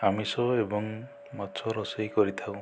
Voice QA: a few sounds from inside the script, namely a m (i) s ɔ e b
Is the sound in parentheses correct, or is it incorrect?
correct